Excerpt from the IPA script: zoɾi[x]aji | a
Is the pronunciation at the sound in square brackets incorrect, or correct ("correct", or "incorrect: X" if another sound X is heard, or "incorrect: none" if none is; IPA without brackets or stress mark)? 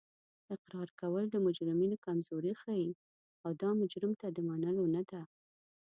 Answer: correct